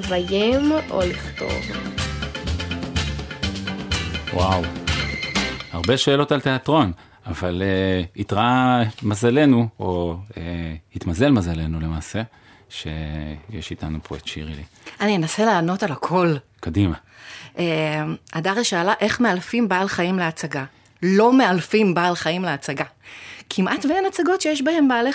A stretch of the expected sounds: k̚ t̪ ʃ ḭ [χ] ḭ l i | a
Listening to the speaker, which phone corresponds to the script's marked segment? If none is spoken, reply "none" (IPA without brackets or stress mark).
ʁ